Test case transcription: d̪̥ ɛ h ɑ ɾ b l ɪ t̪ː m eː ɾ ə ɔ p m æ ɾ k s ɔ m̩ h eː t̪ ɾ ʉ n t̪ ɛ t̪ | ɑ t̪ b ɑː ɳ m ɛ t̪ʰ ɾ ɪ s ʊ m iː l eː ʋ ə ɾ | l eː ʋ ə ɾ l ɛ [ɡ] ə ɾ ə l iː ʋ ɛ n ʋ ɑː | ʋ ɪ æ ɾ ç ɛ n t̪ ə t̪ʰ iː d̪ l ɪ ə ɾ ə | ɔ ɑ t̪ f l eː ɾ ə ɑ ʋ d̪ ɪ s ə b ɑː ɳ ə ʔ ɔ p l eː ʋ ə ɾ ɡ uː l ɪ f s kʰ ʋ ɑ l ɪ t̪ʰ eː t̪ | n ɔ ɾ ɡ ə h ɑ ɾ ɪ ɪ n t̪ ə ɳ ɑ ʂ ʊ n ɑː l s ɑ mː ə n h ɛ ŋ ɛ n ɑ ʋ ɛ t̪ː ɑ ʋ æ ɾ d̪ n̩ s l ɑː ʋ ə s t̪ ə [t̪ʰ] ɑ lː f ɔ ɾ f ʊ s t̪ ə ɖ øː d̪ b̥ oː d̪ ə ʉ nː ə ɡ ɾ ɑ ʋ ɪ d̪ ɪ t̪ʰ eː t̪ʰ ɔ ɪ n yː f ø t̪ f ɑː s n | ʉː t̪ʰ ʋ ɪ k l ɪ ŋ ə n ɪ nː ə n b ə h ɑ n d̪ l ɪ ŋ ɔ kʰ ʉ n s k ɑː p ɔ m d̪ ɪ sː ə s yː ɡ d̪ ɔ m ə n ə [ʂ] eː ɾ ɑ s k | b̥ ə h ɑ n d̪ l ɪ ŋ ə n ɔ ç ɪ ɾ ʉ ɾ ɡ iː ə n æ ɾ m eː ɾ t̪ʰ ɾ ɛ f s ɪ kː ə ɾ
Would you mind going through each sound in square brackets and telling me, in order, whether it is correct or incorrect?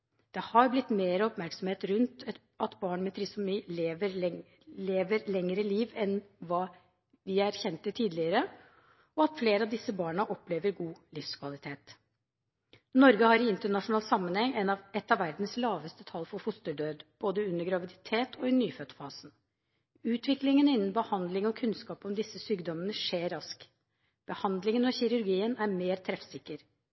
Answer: incorrect: ŋ, correct, correct

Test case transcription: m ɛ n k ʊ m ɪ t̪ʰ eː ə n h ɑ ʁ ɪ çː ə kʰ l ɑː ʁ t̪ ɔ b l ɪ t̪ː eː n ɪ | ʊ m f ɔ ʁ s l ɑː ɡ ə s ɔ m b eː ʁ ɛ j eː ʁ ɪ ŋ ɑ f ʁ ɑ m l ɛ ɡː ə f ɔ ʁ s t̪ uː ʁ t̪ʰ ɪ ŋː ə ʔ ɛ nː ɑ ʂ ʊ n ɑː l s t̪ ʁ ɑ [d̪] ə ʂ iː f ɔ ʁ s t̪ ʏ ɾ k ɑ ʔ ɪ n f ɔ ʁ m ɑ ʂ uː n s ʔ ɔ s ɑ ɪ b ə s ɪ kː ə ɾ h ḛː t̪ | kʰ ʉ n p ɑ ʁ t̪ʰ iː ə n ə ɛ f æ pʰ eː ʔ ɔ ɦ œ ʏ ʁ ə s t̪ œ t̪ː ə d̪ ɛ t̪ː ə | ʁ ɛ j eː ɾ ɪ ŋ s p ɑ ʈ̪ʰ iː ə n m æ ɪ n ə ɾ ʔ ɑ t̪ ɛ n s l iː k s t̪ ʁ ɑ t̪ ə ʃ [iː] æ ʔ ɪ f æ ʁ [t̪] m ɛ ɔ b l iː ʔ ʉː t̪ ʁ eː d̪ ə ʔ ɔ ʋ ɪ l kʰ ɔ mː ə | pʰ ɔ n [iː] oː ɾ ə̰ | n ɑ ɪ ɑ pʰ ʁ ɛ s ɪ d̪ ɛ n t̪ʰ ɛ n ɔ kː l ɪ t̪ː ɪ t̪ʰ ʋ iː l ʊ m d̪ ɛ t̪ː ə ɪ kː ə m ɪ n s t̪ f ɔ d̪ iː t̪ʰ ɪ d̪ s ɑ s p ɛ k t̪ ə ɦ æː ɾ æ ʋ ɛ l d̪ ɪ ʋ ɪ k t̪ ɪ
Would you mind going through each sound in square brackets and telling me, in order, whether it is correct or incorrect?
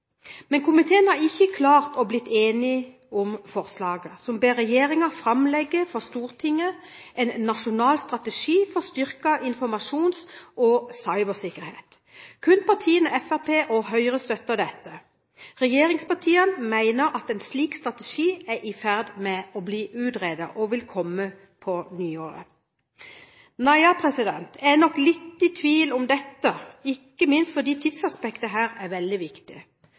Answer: incorrect: t̪, correct, incorrect: d̪, incorrect: yː

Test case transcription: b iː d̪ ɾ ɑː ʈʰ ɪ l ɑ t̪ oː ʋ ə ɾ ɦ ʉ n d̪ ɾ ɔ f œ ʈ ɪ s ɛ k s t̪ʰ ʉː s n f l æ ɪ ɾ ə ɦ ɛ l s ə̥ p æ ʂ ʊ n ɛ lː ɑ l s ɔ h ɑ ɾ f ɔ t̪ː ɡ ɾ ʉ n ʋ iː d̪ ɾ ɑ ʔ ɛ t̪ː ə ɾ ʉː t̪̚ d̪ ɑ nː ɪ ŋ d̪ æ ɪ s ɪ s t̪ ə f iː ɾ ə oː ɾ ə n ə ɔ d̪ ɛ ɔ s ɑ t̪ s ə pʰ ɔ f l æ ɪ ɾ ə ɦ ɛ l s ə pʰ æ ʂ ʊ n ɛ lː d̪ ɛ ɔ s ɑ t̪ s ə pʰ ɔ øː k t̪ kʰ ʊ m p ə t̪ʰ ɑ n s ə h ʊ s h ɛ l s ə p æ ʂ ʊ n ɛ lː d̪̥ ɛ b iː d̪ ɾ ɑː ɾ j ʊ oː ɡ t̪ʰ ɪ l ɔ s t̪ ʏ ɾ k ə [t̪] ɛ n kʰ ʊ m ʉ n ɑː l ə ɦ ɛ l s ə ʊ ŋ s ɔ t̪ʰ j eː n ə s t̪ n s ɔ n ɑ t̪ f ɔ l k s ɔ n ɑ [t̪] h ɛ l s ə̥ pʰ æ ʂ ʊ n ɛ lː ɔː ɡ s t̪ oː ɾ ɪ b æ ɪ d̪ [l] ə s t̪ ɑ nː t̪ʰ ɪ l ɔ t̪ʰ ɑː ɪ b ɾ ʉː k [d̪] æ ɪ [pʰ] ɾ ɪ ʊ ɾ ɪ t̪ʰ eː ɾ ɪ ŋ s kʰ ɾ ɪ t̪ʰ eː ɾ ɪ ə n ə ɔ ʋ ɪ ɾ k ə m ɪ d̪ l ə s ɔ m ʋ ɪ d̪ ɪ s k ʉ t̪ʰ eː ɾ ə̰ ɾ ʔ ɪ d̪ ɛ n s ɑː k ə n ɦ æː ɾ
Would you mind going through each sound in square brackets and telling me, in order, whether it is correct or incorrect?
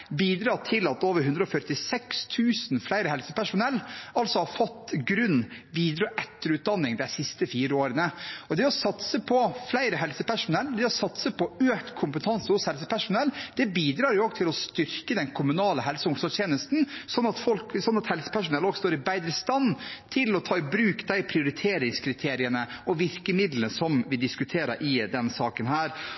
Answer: incorrect: d̪, correct, incorrect: ɾ, correct, correct

